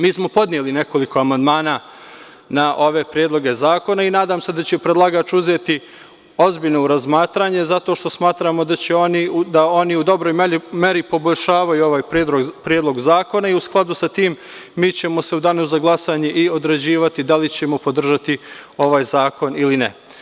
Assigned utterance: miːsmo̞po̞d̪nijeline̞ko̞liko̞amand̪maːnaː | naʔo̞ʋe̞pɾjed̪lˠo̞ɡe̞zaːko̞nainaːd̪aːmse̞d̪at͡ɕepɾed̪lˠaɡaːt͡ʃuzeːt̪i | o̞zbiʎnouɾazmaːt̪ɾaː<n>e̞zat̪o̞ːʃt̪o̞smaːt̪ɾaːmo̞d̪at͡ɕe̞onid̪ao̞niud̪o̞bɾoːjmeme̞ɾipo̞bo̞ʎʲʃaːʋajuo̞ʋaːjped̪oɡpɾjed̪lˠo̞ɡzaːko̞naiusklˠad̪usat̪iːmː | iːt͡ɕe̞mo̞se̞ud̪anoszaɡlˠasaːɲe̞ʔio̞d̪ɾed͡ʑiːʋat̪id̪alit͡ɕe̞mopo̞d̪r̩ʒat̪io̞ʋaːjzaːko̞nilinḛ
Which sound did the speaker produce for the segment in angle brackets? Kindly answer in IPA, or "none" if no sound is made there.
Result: ɲ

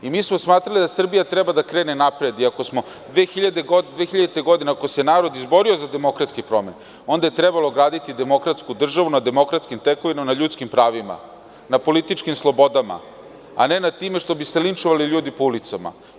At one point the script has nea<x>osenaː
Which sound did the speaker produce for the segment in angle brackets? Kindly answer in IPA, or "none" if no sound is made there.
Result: k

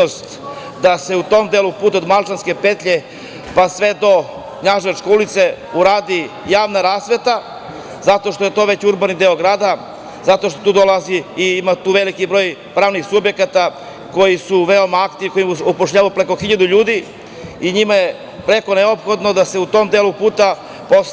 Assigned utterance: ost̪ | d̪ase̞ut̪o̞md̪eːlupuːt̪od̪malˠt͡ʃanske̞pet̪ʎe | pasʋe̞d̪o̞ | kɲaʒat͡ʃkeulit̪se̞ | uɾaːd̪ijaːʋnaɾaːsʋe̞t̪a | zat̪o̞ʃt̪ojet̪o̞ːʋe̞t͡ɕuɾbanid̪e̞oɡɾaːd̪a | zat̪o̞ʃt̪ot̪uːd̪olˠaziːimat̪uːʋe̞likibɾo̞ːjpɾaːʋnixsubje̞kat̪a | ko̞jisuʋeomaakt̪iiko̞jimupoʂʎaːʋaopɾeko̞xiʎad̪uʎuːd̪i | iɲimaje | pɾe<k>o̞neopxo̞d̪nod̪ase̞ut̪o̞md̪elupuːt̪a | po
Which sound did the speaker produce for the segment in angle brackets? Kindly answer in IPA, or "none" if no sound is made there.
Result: k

